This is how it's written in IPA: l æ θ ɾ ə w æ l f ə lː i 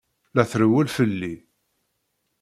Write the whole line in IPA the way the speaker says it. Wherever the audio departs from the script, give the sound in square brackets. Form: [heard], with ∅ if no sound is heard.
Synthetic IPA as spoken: l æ θ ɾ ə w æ l f ə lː i